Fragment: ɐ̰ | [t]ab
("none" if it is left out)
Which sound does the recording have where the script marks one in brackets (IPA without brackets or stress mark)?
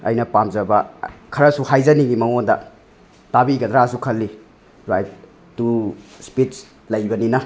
t